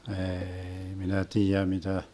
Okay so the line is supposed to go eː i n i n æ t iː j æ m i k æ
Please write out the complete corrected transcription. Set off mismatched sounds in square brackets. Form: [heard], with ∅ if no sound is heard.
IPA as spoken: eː i [m] i n æ t iː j æ m i [t] æ

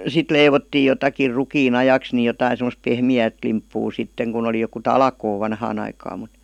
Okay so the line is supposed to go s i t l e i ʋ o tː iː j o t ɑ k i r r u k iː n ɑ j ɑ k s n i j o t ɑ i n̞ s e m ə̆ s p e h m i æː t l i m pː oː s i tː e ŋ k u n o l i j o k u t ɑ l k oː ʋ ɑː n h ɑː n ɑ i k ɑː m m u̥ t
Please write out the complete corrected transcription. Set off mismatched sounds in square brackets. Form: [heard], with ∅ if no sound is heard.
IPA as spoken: s i t l e i ʋ o tː iː j o t ɑ k i r r u k iː n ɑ j ɑ k s n i j o t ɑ i n̞ s e m ə̆ s p e h m i æː t l i m pː [uː] s i tː e ŋ k u n o l i j o k u t ɑ l k oː ʋ [ɑ] n h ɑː n ɑ i k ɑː m m u̥ t

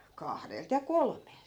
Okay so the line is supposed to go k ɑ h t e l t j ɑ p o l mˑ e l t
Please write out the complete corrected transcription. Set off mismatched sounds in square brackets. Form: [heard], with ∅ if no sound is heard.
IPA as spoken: k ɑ h [d] e l t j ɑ [k] o l mˑ e l t

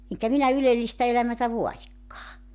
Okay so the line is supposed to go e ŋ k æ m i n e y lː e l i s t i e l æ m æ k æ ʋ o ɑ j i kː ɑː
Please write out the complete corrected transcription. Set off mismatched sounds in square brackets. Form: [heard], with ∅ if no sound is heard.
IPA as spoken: e ŋ k æ m i n [æ] y [l] e [lː] i s t [æ] e l æ m æ [t] æ ʋ o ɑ j i kː ɑː

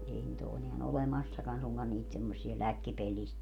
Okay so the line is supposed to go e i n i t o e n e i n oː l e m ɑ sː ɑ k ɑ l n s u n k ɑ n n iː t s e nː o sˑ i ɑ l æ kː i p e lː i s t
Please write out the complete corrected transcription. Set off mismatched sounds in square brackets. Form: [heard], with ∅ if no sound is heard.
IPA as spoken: e i n i t o e n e [æ] n [o] l e m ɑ sː ɑ k ɑ [∅] n s u [ŋ] k ɑ n n iː t s e [mː] o sˑ i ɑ l æ kː i p e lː i s t

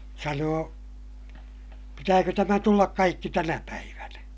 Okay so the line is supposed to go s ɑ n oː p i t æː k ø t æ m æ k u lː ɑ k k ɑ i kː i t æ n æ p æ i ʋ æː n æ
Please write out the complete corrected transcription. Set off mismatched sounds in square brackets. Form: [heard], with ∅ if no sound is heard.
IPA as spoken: s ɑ n oː p i t æː k ø t æ m æ [t] u lː ɑ k k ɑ i kː i t æ n æ p æ i ʋ [æ] n æ

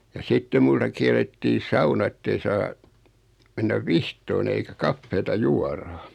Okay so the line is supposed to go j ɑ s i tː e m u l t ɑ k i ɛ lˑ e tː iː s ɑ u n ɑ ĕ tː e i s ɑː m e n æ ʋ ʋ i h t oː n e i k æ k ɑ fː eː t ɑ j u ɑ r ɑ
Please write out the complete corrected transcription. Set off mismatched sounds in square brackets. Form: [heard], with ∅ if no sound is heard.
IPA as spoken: j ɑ s i tː e m u l t ɑ k i ɛ lˑ e tː iː s ɑ u n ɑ ĕ tː e i s ɑː m e [nː] æ ʋ ʋ i h t oː n e i k æ k ɑ fː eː t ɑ j u ɑ r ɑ

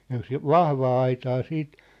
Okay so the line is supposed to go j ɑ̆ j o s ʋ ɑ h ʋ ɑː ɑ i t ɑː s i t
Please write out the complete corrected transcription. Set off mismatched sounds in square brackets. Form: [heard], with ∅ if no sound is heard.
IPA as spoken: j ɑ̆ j o s ʋ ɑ h ʋ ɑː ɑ i t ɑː s [iː] t

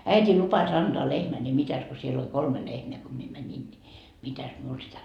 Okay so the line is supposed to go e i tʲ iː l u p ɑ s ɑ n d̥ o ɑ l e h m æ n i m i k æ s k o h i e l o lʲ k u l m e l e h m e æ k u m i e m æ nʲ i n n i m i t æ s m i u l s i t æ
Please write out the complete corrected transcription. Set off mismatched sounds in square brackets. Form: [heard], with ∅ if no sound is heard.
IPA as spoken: [æ] i tʲ iː l u p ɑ s ɑ n d̥ o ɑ l e h m æ n i m i [t] æ s k o [s] i e l o lʲ k [o] l m e l e h m e æ k [o] m i e m æ nʲ i n n i m i t æ s m i u l s i t æ

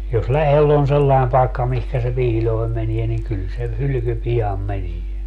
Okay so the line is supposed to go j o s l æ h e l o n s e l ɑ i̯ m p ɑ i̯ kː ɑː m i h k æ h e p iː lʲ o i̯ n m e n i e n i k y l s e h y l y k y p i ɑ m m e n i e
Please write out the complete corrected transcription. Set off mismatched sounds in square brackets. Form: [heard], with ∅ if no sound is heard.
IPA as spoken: j o s l æ h e l o n s e [lː] ɑ i̯ m p ɑ i̯ kː [ɑ] m i h k æ [s] e p iː lʲ o i̯ [m] m e n i e n i k y l s e h y l y k y p i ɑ m m e n i e

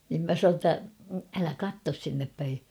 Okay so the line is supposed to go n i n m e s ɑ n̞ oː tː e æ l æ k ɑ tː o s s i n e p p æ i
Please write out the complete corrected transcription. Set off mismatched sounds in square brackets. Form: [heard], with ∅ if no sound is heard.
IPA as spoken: n i [m] m [æ] s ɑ n̞ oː tː [æ] æ l æ k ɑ tː o s s i [nː] e p p æ i

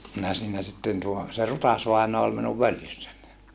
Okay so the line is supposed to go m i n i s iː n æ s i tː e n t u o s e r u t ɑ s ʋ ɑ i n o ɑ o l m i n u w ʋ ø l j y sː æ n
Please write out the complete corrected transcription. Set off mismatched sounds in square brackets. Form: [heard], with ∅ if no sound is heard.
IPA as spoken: m i n [æ] s iː n æ s i tː e n t u o s e r u t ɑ s ʋ ɑ i n o ɑ o l m i n u [ʋ] ʋ ø l j y sː æ n

